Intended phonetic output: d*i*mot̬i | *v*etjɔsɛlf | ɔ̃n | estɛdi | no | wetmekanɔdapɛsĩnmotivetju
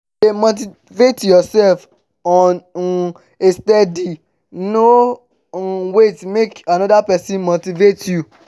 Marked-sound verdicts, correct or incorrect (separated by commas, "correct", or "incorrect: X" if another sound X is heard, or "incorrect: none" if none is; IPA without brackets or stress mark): incorrect: e, correct